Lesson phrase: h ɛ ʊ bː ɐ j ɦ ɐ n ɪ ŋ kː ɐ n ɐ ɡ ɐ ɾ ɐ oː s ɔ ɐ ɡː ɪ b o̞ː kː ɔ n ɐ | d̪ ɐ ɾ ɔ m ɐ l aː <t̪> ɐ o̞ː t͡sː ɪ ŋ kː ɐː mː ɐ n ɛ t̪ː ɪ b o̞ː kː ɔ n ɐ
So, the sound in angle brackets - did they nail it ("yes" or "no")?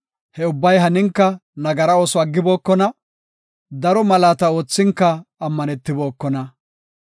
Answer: yes